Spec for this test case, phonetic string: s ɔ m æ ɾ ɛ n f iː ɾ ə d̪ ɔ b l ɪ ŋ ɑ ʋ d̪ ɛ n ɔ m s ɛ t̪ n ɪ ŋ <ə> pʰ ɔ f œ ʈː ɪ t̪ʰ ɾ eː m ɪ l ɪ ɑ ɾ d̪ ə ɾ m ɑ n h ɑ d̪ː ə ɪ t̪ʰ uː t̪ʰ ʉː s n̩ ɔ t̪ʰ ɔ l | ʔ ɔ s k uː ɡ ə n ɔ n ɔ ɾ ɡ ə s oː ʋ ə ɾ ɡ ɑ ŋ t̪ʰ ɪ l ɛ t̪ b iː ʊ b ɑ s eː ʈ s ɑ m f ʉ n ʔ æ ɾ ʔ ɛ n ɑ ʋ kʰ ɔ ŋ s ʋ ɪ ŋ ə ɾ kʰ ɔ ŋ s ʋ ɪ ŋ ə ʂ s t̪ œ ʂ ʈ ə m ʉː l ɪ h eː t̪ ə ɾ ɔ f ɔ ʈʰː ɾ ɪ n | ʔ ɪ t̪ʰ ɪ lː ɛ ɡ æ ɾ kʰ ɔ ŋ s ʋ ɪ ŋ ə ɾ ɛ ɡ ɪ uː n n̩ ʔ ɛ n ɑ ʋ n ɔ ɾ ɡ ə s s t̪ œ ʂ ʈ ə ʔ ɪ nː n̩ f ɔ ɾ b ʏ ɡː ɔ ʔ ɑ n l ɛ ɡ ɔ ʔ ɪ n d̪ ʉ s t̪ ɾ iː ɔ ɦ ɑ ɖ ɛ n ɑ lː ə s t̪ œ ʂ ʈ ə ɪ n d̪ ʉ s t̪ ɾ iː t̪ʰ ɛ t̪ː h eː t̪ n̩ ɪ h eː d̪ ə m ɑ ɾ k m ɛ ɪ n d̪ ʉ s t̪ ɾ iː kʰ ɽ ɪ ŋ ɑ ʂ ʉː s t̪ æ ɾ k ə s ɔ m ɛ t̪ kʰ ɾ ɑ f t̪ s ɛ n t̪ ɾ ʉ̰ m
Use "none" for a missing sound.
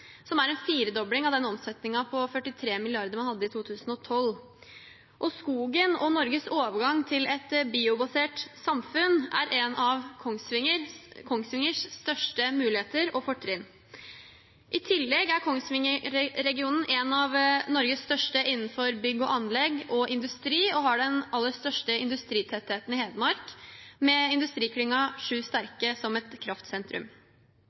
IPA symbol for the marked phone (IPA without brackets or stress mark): ɑ